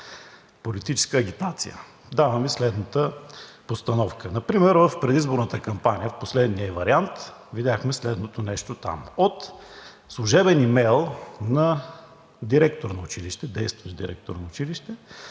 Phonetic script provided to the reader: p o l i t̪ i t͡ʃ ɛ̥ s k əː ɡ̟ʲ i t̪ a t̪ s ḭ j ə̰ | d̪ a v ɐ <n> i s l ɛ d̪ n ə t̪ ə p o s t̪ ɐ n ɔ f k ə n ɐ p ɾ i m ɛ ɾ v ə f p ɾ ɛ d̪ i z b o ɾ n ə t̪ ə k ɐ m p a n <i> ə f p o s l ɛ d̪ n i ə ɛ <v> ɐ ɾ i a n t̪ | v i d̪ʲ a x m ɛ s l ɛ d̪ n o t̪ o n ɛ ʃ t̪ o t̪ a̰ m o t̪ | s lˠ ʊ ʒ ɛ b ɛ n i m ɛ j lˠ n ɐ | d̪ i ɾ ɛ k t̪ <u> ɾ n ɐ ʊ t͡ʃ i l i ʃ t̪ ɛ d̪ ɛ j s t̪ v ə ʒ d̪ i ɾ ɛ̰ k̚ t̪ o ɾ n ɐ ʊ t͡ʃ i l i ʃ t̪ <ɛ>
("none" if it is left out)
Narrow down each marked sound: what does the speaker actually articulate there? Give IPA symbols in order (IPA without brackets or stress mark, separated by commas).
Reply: m, i, v, o, ɛ